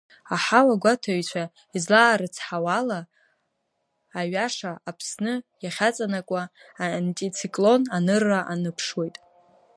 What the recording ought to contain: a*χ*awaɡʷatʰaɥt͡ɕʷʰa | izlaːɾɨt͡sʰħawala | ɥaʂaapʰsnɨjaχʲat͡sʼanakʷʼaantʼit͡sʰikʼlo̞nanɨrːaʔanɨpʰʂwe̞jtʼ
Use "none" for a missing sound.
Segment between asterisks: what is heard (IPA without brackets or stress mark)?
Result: ħ